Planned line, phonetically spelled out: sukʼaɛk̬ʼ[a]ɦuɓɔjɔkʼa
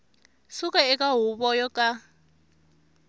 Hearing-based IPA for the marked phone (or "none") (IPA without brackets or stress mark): a